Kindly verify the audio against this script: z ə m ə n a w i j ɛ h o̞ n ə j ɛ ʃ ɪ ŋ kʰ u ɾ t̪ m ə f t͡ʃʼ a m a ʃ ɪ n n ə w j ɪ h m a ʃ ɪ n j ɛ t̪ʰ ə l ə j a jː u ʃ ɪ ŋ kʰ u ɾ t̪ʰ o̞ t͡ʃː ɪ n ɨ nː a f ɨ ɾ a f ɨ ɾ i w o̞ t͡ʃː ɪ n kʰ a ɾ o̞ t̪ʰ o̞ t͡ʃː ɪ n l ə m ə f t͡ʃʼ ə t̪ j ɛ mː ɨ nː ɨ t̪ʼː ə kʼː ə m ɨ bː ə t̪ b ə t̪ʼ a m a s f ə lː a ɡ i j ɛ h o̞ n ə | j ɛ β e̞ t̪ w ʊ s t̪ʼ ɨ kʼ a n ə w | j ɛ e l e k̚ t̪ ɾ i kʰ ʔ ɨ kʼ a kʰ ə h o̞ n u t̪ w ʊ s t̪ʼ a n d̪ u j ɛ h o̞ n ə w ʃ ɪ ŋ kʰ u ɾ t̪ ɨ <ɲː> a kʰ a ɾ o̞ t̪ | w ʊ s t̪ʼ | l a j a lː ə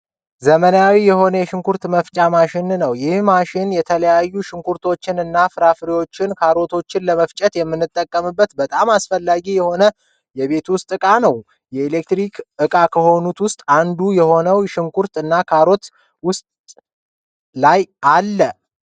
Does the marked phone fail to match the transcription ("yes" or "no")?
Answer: yes